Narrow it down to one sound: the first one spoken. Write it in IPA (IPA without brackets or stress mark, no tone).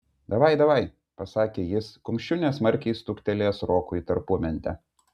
d̪